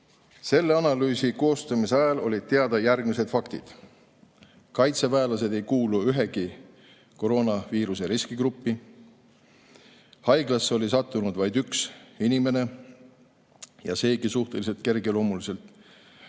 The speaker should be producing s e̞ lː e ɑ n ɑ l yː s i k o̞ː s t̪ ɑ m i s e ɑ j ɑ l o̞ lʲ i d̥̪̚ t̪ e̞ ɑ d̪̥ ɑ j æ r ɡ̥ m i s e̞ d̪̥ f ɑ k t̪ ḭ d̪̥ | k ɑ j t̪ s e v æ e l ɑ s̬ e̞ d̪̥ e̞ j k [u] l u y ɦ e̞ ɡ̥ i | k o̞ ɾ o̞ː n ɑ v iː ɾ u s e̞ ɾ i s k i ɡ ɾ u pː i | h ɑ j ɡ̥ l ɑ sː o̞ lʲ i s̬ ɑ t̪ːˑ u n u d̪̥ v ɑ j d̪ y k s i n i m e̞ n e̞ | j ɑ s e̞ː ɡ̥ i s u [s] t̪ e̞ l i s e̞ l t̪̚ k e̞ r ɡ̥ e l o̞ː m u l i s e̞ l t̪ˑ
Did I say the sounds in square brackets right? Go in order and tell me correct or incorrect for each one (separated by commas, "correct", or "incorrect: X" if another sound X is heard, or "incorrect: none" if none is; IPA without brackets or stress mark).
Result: incorrect: uː, incorrect: h